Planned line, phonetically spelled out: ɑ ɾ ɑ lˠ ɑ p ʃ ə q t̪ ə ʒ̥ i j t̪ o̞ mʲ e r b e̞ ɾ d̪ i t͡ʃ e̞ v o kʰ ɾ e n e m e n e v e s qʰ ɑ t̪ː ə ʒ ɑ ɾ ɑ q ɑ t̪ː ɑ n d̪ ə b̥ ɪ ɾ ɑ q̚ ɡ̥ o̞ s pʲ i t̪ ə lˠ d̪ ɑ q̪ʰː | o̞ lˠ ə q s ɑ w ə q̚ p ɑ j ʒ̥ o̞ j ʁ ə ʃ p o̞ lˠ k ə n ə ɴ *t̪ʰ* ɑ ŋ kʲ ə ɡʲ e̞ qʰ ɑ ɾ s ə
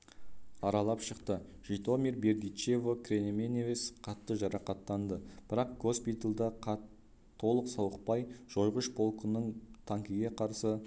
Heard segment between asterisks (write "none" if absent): t̪ʰ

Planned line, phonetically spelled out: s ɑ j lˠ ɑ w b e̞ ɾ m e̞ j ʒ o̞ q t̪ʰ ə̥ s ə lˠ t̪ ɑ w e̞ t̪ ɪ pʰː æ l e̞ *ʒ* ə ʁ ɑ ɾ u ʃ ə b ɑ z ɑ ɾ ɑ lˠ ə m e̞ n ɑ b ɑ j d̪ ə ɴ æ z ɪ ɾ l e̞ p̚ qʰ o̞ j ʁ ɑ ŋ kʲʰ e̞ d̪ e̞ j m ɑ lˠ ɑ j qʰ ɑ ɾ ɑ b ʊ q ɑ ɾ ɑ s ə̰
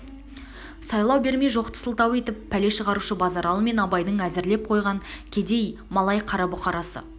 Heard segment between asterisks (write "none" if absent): ʃ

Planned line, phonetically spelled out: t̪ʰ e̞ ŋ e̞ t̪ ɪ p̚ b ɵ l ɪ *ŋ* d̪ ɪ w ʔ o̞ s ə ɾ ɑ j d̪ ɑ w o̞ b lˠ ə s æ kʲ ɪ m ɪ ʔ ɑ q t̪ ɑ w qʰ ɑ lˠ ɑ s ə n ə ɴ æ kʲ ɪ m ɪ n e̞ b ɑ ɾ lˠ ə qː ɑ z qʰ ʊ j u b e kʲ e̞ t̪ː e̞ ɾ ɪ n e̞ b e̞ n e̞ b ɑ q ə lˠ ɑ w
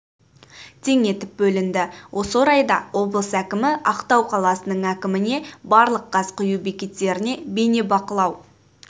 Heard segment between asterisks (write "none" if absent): n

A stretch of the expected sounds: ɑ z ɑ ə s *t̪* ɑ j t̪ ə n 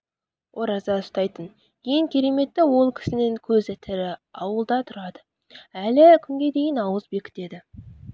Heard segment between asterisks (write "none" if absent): t̪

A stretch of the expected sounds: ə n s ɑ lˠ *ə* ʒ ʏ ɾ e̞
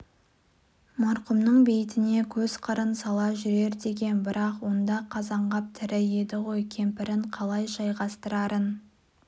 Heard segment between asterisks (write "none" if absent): ɑ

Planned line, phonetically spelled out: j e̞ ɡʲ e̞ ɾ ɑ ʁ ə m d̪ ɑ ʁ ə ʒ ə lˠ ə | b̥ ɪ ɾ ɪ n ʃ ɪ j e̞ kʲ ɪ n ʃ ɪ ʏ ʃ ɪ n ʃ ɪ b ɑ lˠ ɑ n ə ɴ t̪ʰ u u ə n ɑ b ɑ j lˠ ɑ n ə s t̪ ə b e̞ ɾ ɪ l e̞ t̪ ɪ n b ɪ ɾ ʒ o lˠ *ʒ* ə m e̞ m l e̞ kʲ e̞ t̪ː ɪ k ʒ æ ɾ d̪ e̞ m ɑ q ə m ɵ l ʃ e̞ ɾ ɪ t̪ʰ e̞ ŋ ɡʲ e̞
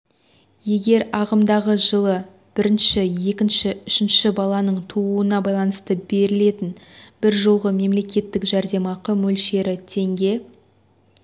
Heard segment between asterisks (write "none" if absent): ʁ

